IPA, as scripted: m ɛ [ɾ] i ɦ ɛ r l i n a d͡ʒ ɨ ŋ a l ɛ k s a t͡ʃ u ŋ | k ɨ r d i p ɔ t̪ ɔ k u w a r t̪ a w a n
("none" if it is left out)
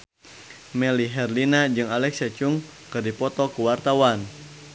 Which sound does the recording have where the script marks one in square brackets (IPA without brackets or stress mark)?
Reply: l